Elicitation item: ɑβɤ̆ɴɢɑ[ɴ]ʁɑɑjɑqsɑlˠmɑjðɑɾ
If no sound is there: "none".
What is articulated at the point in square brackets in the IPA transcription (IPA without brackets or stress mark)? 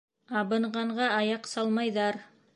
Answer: ɴ